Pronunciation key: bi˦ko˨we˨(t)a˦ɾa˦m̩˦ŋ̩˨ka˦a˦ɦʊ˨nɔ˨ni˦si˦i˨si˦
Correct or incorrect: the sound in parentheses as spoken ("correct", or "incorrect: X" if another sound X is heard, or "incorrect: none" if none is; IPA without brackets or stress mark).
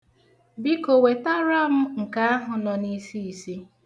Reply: correct